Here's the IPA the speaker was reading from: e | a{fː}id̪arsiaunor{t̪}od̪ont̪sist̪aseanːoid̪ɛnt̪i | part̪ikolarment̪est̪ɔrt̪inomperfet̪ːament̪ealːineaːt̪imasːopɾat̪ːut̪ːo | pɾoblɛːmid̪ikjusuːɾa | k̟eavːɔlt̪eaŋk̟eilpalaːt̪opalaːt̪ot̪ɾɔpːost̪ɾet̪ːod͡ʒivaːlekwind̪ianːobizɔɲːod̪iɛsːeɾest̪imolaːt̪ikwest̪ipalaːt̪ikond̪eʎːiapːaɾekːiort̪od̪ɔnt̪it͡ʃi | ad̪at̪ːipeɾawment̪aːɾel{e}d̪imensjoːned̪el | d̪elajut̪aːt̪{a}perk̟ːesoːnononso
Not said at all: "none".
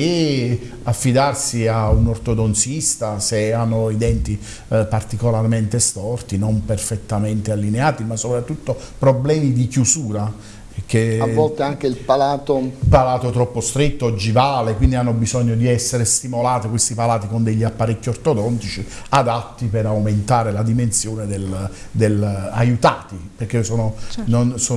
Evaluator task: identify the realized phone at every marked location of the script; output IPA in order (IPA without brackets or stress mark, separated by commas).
fː, t̪, a, i